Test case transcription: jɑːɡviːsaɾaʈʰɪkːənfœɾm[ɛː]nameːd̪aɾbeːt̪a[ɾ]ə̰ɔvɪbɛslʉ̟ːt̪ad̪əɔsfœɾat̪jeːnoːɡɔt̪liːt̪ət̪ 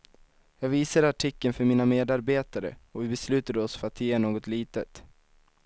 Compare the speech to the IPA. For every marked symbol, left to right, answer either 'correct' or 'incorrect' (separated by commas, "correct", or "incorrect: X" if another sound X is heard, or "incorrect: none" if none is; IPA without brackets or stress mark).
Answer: incorrect: iː, correct